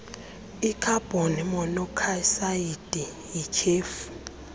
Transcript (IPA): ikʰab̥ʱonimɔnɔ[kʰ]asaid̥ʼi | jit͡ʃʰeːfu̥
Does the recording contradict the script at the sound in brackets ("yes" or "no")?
no